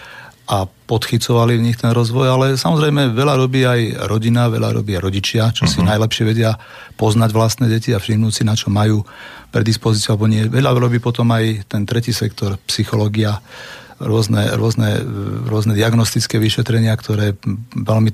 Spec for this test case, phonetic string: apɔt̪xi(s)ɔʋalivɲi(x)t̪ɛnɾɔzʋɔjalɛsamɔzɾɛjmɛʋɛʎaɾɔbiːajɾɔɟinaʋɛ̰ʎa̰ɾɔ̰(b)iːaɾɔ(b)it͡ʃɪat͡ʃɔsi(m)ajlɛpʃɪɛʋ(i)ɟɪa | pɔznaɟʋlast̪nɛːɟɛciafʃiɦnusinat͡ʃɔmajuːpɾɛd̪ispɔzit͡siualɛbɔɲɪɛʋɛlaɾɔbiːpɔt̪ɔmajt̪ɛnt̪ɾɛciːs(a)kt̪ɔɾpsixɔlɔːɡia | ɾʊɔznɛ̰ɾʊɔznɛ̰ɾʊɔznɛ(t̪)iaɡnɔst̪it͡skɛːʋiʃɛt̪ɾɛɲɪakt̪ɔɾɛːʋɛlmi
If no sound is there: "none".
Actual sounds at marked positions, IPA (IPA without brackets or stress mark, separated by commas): t͡s, x, b, ɟ, n, ɛ, ɛ, d̪